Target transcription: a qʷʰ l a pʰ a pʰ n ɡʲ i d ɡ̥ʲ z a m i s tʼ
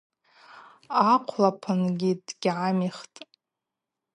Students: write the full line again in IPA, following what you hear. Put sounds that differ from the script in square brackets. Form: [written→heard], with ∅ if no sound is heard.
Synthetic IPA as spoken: a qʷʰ l a pʰ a [pʰ→∅] n ɡʲ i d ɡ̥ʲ [z→ʕ] a m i [s→χ] tʼ